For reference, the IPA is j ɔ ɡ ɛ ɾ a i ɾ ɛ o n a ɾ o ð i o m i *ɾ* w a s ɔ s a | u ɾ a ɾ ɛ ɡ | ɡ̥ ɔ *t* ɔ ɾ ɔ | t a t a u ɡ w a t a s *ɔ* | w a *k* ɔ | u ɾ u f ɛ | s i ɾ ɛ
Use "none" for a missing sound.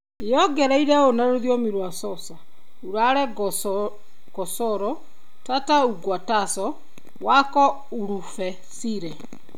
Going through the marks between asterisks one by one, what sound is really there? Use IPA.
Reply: ɾ, s, ɔ, k

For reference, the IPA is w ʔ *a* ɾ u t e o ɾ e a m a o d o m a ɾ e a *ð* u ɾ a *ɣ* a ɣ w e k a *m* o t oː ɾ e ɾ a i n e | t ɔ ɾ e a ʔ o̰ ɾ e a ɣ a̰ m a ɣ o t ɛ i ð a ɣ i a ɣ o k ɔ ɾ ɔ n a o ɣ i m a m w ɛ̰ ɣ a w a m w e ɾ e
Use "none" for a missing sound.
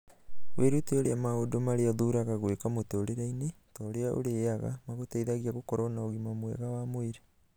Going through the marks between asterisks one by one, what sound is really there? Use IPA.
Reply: e, ð, ɣ, m

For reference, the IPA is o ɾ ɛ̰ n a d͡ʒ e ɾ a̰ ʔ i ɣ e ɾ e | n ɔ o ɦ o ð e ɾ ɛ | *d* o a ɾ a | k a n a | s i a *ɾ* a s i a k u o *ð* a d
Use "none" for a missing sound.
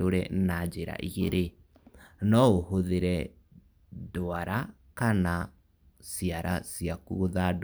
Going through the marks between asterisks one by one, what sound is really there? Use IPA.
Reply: d, ɾ, ð

